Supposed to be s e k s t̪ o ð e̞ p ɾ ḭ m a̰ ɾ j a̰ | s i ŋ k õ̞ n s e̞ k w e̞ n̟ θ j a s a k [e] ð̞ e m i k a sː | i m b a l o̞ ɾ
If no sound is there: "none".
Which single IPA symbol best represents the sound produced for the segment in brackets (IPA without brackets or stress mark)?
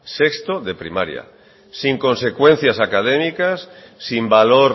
a